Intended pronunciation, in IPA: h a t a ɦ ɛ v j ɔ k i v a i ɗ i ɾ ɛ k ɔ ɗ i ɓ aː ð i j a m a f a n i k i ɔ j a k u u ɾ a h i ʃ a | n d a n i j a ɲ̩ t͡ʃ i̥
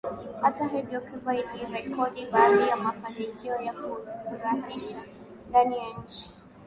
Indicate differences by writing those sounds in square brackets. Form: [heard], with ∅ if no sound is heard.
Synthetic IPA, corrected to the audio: h a t a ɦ ɛ v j ɔ k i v a i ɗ i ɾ ɛ k ɔ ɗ i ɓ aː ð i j a m a f a n i k i ɔ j a k u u ɾ a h i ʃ a | n d a n i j a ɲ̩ t͡ʃ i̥